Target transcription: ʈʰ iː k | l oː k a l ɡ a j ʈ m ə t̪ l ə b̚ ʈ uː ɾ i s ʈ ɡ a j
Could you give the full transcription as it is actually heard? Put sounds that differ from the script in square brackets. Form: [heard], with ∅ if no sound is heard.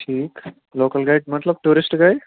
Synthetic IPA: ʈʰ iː k | l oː k [ə] l ɡ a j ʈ m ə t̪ l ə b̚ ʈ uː ɾ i s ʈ ɡ a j

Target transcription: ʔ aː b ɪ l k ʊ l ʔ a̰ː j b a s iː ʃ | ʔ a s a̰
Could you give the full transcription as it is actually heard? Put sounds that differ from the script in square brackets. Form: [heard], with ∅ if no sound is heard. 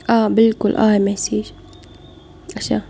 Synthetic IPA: ʔ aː b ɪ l k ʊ l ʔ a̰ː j [m] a s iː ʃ | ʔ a [ʃ] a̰

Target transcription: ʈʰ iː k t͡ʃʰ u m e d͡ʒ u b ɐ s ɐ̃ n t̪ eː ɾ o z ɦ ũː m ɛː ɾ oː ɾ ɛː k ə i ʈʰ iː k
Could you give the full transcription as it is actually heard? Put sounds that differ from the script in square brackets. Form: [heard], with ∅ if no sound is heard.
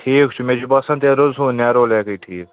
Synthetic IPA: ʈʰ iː k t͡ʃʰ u m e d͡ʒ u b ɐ s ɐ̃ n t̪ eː ɾ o z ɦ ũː [n] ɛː ɾ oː [l] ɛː k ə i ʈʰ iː k

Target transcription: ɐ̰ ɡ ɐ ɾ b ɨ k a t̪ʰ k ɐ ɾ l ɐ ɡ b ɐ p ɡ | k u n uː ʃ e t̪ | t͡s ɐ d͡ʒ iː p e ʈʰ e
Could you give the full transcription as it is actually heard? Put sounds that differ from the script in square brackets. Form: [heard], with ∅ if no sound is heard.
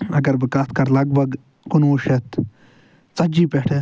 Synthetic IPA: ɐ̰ ɡ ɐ ɾ b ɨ k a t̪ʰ k ɐ ɾ l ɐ ɡ b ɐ [∅] ɡ | k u n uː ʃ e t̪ | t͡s ɐ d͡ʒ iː p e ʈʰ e

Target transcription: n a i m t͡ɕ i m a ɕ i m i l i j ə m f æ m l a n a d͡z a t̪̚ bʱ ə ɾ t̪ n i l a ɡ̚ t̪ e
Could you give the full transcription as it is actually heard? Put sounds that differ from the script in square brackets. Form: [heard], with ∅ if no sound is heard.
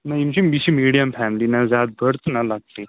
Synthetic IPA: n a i m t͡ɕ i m [i] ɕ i m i [ɽ] i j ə m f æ m l [i] n a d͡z a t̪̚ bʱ ə ɾ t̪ n [a] l a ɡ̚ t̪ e

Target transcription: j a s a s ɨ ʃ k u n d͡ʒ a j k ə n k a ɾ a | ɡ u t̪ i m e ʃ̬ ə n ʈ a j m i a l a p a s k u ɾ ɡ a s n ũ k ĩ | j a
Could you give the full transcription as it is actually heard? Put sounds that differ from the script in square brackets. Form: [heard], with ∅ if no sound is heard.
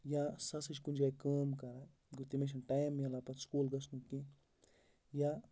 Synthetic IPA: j a s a s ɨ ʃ k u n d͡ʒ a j k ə [m] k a ɾ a | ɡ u t̪ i m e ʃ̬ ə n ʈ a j m [j] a l a p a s k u [l] ɡ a s n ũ k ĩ | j a

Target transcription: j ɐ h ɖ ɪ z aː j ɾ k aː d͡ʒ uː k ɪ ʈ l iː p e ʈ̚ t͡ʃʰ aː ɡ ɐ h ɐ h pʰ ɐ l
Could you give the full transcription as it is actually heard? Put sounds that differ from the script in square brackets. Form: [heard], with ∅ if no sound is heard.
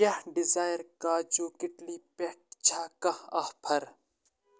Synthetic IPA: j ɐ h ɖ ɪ z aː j ɾ k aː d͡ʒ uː k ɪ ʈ l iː p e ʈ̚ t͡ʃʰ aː [k] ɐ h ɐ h pʰ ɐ [ɾ]

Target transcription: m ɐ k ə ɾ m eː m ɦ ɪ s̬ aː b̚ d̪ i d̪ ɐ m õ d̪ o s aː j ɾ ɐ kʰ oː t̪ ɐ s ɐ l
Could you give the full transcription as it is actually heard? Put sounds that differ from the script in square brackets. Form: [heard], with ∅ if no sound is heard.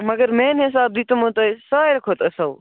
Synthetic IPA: m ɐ [ɡ] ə ɾ m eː [n] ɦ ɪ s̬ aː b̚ d̪ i [t̪] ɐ m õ [t̪] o s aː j ɾ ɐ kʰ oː t̪ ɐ s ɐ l

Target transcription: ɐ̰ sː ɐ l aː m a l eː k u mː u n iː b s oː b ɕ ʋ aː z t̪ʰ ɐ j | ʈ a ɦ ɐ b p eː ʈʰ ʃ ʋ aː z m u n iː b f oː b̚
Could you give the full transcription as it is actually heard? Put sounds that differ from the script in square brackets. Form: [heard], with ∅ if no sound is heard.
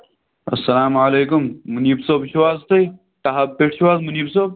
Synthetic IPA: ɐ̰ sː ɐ l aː m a l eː k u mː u n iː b s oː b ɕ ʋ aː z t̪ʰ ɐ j | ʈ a ɦ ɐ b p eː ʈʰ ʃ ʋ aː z m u n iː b [s] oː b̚

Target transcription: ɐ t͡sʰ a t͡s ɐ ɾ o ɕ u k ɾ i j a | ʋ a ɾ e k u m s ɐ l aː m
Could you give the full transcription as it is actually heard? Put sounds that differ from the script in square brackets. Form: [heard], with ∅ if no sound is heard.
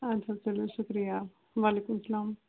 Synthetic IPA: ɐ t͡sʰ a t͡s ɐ [l] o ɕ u k ɾ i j a | ʋ a [l] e k u m s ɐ l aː m

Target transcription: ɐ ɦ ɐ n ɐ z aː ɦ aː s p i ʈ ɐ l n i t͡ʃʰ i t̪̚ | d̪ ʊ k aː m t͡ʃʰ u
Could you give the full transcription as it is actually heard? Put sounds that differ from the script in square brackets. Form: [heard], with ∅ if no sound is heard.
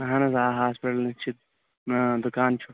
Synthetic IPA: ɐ ɦ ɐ n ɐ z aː ɦ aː s p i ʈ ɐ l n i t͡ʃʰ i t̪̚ | d̪ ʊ k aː [n] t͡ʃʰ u

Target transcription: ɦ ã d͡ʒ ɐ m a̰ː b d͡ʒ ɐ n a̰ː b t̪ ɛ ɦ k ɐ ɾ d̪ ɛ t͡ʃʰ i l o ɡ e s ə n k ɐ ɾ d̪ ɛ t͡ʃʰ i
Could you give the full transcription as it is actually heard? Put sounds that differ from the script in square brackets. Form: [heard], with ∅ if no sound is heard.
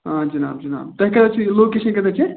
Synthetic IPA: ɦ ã d͡ʒ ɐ [n] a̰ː b d͡ʒ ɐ n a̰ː b t̪ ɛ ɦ k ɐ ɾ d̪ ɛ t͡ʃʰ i l o [k] e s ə n k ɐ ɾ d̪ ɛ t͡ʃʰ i

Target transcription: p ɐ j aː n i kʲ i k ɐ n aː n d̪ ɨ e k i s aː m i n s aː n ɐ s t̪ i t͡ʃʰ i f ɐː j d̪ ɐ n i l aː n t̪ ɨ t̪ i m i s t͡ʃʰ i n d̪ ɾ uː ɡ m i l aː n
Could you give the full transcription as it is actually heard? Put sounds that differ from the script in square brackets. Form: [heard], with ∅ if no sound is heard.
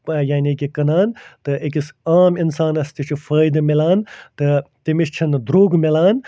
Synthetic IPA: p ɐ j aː n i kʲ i k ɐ n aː n [t̪] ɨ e k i s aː m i n s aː n ɐ s t̪ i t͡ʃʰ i f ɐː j d̪ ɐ [m] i l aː n t̪ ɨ t̪ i m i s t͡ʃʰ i n d̪ ɾ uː ɡ m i l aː n

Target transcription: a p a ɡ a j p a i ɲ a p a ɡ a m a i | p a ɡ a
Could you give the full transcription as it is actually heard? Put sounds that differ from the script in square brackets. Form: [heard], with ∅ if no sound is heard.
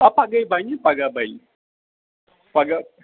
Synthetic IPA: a p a ɡ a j [b] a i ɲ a p a ɡ a [b] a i | p a ɡ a

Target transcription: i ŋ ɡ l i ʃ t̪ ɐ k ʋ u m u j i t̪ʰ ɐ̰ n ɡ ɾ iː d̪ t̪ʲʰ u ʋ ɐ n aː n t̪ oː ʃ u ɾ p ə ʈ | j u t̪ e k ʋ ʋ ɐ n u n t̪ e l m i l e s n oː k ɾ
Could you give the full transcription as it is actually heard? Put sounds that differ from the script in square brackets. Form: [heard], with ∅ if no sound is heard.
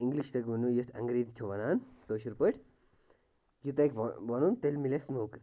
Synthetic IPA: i ŋ ɡ l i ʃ t̪ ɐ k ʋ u [n] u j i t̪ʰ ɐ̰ [ŋ] ɡ ɾ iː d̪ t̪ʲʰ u ʋ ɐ n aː n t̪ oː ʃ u ɾ p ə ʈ | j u t̪ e k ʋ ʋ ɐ n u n t̪ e l m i l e s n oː k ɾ

